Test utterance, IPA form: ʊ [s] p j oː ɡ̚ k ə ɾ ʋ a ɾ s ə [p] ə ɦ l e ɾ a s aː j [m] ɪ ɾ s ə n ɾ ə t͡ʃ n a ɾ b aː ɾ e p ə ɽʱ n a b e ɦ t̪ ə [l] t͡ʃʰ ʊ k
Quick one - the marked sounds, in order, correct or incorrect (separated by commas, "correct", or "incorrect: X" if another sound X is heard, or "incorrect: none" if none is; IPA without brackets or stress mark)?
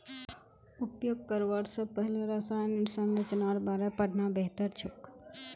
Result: incorrect: none, correct, incorrect: n, incorrect: ɾ